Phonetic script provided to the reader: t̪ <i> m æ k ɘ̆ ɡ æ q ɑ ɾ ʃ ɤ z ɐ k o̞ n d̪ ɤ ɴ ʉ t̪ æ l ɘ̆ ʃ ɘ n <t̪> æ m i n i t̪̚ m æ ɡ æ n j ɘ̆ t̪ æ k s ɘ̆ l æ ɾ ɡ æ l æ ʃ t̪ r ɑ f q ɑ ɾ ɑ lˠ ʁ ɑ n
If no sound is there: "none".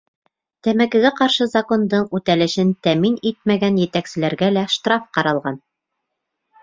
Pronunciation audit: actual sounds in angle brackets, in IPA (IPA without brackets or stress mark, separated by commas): æ, t̪